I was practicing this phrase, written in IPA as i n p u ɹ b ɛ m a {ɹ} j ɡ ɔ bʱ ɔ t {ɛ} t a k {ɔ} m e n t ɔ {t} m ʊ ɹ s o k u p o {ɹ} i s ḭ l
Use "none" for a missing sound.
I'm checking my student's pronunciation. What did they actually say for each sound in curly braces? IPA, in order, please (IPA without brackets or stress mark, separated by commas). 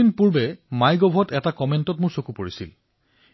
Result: none, ɛ, ɔ, t, ɹ